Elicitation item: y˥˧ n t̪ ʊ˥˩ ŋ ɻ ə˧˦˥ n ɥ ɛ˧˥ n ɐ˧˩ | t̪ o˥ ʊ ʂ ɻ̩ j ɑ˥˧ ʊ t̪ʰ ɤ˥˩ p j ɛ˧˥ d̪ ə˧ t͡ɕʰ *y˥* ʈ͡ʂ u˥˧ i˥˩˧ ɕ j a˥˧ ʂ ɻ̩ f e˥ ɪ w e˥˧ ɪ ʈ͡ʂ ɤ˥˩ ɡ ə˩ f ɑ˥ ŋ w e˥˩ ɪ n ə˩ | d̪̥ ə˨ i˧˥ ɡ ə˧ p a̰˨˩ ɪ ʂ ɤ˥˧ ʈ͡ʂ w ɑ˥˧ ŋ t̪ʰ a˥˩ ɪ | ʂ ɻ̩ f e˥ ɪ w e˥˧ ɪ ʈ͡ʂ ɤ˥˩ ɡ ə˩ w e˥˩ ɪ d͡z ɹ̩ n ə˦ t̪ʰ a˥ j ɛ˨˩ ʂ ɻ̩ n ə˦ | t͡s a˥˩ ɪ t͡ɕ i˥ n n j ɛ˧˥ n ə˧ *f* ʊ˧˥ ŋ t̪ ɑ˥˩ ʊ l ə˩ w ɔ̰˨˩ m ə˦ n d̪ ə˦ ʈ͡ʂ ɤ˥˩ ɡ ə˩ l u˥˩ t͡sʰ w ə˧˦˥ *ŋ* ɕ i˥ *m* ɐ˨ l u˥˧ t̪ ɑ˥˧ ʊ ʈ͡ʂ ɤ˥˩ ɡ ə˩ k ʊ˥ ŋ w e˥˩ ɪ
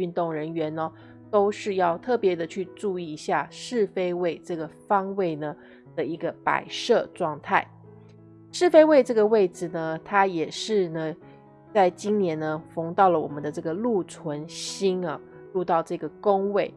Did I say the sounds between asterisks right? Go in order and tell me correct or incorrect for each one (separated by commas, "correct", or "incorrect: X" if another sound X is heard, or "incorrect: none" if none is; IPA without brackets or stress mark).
incorrect: y˥˧, correct, incorrect: n, incorrect: n